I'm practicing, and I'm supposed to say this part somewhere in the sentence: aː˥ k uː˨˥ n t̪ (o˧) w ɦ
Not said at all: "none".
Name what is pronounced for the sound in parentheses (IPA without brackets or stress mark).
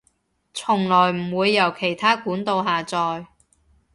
o˧